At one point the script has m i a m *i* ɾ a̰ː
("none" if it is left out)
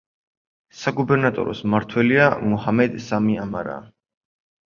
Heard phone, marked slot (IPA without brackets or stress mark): a